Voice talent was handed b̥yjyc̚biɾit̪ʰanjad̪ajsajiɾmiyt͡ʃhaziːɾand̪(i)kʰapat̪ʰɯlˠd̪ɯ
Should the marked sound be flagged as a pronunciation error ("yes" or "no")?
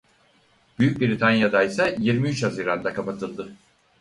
yes